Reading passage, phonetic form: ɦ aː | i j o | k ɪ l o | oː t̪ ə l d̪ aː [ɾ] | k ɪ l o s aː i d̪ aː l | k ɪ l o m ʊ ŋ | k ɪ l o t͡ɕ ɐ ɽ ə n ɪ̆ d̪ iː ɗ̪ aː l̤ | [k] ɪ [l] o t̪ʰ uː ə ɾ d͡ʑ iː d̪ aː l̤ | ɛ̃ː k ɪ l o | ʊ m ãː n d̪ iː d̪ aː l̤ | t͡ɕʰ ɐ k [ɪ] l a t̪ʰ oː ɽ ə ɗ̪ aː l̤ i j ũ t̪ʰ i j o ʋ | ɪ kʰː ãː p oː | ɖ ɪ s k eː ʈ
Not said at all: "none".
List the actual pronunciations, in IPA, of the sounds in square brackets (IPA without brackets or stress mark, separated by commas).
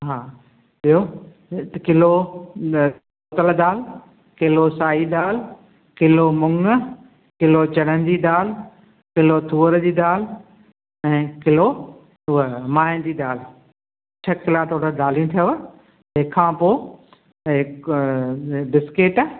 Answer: l, k, l, ɪ